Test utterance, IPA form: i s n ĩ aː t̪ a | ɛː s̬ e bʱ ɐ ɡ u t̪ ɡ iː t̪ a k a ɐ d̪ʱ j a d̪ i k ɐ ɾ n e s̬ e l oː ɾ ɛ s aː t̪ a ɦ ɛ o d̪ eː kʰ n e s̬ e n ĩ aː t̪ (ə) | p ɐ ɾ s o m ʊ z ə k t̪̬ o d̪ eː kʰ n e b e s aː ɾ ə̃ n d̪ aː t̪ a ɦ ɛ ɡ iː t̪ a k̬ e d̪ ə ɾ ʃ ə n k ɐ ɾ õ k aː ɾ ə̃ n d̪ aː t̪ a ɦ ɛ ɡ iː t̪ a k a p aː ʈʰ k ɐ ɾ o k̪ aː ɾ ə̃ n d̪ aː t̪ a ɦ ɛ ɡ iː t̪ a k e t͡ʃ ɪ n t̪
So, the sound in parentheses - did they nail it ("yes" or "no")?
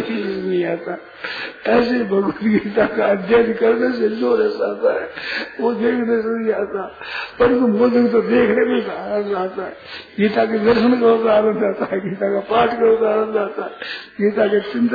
no